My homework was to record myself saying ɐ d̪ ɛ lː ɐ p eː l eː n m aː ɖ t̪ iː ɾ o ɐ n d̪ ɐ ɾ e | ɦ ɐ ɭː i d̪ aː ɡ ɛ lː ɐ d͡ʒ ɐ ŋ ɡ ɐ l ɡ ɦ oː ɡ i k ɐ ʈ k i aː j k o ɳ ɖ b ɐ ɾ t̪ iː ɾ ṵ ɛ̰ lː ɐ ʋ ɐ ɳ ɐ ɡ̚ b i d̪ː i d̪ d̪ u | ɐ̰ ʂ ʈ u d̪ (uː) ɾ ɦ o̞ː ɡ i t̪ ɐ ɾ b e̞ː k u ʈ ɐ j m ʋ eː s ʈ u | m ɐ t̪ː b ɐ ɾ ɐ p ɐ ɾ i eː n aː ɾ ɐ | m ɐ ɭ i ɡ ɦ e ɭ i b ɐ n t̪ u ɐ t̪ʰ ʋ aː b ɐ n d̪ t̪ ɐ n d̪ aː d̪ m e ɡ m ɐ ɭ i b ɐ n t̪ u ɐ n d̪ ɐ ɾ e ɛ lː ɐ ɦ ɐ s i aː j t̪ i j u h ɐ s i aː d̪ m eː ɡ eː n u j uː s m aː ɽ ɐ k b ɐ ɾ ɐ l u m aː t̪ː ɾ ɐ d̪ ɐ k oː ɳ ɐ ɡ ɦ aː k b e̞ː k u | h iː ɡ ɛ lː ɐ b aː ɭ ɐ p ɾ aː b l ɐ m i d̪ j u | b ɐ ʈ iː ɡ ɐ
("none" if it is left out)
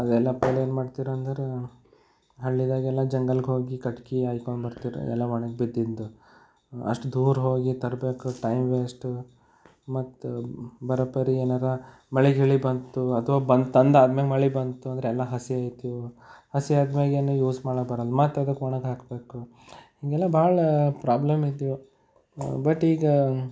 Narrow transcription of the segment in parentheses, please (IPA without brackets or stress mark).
uː